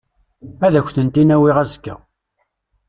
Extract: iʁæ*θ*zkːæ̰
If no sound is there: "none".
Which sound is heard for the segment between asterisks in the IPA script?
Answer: none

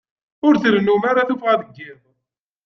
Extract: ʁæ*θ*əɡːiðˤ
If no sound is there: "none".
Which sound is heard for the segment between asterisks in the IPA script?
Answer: ð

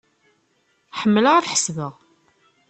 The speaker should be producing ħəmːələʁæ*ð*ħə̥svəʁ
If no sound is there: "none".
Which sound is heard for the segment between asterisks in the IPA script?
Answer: θ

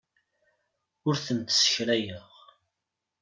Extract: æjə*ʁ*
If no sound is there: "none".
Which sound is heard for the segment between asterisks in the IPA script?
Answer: ʁ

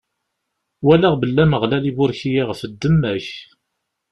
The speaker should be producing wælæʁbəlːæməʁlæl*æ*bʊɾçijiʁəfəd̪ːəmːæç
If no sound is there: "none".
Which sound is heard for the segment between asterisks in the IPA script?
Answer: i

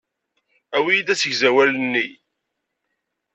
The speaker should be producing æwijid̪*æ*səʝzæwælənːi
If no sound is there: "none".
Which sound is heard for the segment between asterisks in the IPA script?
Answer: æ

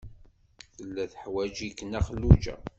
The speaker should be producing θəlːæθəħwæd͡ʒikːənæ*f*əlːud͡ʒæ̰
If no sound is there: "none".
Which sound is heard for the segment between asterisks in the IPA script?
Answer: χ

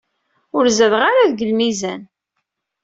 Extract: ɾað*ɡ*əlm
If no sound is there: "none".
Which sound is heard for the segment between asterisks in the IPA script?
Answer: ɡ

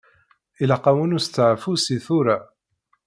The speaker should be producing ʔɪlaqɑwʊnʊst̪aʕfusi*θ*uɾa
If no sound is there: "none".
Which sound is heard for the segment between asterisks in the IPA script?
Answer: θ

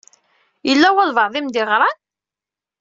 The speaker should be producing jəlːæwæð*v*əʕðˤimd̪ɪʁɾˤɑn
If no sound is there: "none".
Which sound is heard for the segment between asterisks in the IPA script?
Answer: v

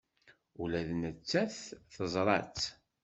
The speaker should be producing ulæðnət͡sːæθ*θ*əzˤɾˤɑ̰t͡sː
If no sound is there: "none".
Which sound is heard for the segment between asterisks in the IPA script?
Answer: θ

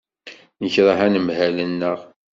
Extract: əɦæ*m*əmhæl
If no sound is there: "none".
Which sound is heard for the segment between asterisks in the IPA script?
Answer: n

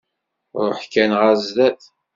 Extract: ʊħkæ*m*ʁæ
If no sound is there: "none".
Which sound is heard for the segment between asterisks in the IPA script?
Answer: n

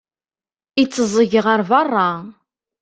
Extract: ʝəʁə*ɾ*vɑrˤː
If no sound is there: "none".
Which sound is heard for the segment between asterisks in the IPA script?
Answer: ɾ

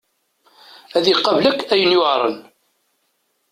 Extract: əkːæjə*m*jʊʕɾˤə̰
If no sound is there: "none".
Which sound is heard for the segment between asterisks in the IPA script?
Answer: n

